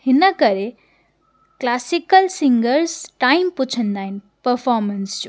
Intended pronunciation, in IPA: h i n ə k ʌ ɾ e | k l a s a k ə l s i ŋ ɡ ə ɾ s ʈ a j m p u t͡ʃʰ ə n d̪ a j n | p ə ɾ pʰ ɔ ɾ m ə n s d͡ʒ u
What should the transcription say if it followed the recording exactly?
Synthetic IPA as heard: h i n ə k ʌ ɾ e | k l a s i k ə l s i ŋ ɡ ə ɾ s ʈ a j m p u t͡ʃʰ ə n d̪ a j n | p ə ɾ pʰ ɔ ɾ m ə n s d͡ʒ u